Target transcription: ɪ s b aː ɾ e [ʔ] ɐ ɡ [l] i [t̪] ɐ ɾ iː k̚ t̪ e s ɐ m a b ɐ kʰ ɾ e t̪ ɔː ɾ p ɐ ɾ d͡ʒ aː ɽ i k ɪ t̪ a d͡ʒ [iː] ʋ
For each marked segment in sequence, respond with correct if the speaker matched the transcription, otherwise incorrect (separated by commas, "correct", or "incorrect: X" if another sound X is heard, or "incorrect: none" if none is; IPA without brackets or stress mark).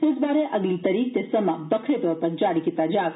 correct, correct, correct, incorrect: aː